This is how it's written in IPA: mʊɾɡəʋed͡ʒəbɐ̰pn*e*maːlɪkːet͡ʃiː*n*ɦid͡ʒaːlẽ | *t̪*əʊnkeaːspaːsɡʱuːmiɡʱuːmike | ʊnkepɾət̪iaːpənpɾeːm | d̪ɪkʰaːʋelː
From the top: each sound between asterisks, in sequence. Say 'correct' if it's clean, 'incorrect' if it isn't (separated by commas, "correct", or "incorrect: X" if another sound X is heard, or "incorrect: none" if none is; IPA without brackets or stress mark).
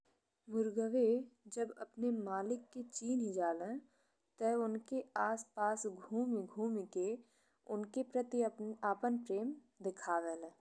correct, correct, correct